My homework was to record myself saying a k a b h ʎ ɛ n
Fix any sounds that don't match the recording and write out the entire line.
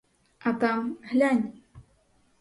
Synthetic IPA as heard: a k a m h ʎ a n